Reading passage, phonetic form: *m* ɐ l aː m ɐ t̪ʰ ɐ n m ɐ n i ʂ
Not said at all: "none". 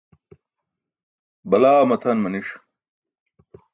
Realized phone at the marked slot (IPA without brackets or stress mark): b